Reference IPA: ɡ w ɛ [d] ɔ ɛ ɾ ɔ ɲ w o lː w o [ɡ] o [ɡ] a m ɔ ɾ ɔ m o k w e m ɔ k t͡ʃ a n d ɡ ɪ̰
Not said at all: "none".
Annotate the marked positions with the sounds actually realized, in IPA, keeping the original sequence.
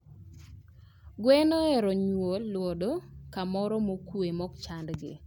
n, d, k

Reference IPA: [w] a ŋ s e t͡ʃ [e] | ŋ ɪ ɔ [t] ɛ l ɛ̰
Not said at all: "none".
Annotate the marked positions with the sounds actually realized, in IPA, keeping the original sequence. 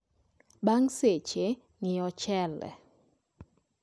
b, e, t͡ʃ

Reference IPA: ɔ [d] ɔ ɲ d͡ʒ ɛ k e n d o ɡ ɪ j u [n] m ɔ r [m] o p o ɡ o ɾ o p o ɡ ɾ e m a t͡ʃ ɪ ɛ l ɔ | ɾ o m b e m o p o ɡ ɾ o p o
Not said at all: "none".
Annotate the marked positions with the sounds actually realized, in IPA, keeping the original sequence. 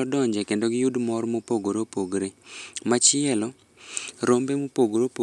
d, d, m

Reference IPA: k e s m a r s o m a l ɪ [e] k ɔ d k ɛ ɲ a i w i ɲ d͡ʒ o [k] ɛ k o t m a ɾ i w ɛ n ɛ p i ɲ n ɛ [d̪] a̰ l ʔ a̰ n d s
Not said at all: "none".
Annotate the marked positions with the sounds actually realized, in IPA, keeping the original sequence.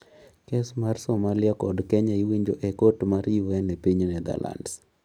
a, ʔ, d̪

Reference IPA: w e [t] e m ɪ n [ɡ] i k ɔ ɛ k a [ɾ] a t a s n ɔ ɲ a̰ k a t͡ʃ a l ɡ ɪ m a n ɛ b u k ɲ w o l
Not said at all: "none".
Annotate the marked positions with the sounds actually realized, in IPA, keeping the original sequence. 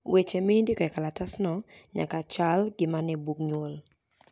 t͡ʃ, d, l

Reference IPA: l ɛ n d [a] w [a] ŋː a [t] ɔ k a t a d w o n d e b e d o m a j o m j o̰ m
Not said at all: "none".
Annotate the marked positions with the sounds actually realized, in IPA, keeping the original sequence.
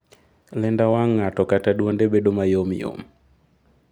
a, a, t

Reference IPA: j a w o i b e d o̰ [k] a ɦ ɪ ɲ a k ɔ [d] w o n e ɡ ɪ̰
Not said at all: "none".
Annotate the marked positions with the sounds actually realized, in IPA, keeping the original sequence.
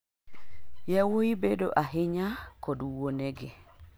ʔ, d

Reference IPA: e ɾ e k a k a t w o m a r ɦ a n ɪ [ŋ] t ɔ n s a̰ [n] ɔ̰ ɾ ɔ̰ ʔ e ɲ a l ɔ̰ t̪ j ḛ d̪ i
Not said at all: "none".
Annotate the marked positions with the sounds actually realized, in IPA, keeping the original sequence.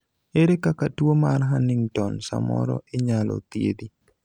ŋ, m

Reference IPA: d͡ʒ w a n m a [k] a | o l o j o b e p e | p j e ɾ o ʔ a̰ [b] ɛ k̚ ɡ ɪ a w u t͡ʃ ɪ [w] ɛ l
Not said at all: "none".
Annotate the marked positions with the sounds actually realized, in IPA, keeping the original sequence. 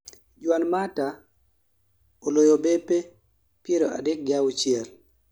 t, d, none

